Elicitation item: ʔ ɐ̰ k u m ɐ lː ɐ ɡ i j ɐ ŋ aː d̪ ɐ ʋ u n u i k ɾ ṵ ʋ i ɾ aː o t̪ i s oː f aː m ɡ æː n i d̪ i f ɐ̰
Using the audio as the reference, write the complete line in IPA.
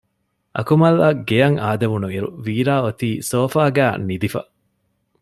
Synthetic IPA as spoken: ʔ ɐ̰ k u m ɐ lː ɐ ɡ e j ɐ ŋ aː d̪ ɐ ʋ u n u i ɾ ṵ ʋ iː ɾ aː o t̪ iː s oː f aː ɡ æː n i d̪ i f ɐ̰